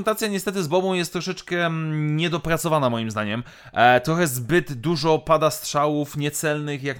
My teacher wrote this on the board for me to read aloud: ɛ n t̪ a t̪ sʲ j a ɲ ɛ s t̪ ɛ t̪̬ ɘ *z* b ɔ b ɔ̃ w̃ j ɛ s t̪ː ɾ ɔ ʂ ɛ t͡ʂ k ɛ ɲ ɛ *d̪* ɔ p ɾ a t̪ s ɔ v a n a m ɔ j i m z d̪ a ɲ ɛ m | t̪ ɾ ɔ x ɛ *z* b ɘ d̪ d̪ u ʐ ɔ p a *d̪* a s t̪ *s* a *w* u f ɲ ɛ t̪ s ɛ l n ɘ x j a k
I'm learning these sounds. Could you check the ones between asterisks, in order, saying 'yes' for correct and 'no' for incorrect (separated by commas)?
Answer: yes, yes, yes, yes, no, yes